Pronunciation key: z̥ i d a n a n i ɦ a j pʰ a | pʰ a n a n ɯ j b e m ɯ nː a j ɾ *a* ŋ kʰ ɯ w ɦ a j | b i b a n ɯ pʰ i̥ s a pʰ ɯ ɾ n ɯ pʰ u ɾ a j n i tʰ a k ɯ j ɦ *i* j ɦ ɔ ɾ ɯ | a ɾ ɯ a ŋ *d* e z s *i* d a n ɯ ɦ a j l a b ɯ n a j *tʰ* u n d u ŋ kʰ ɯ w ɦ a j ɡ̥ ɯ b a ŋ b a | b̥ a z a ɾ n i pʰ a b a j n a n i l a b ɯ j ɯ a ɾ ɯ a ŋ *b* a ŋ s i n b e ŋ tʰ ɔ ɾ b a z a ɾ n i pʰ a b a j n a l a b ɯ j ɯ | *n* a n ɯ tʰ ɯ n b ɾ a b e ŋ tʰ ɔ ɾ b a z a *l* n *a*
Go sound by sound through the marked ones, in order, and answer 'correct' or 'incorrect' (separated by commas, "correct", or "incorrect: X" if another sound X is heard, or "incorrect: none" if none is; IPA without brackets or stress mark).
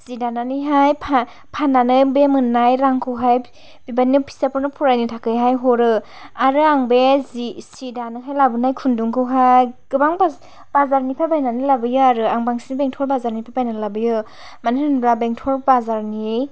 correct, incorrect: a, incorrect: b, correct, incorrect: kʰ, correct, incorrect: m, incorrect: ɾ, incorrect: i